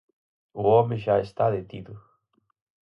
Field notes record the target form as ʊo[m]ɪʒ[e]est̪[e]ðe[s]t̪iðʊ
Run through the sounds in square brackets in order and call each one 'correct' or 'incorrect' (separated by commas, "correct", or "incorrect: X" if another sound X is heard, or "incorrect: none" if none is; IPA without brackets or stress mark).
correct, incorrect: a, incorrect: a, incorrect: none